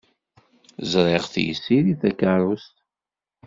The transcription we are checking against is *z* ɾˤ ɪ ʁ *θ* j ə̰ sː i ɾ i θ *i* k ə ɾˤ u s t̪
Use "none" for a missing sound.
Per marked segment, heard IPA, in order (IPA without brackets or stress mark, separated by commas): z, θ, æ